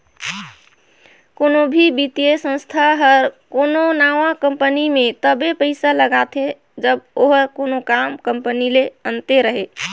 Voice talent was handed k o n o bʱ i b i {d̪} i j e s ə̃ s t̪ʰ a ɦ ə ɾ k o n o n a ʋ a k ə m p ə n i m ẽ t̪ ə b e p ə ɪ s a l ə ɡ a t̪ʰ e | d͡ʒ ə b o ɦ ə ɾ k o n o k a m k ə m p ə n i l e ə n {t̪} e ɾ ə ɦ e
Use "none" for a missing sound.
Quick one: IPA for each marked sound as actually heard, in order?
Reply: t̪, t̪

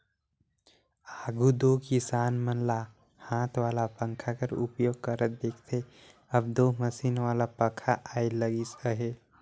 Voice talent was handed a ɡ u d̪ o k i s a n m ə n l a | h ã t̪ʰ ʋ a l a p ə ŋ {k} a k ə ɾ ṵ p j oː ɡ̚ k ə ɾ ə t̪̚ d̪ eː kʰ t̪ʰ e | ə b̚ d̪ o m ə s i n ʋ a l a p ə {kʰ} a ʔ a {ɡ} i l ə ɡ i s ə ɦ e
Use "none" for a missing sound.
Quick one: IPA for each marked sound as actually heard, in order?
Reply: kʰ, kʰ, none

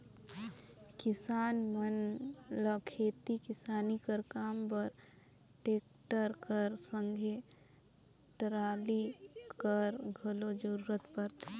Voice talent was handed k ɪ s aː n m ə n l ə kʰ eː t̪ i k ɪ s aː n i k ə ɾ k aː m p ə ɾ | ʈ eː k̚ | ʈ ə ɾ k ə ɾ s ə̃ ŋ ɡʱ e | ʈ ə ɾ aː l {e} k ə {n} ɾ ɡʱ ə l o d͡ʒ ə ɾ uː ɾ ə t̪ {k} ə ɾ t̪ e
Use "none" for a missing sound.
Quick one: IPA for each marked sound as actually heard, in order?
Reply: i, none, p

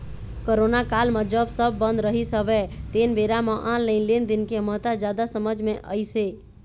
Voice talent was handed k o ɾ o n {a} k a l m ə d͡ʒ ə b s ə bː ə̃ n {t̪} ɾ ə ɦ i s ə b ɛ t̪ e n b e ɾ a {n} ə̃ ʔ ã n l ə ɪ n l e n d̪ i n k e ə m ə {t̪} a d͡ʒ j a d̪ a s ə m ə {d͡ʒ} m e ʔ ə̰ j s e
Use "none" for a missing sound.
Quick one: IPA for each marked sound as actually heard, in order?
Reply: a, d̪, m, t̪, d͡ʒ

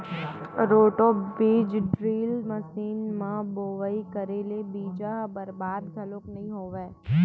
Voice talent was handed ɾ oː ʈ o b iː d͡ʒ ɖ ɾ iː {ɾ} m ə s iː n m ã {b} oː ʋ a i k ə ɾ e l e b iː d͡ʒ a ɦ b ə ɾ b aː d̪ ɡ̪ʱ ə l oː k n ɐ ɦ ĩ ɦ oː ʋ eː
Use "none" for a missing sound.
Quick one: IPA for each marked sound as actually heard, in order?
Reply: l, b

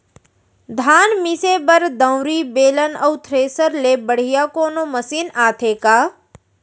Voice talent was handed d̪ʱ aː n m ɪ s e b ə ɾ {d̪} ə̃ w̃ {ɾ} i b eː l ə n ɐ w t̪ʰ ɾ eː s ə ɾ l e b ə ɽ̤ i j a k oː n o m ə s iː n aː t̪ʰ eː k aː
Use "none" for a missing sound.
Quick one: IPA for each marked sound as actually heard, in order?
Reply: d̪, ɾ

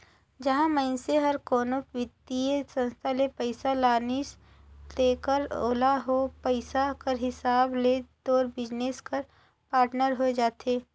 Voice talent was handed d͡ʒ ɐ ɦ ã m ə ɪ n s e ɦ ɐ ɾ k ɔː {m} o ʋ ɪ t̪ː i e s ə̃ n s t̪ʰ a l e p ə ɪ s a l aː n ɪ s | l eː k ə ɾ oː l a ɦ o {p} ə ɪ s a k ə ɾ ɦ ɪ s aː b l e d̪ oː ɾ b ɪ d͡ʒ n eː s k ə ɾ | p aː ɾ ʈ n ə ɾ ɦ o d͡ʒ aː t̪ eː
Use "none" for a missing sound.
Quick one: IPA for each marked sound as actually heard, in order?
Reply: n, p

